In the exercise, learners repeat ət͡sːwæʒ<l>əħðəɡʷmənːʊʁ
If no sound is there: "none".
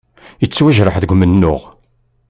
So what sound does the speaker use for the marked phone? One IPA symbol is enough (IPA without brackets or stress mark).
ɾ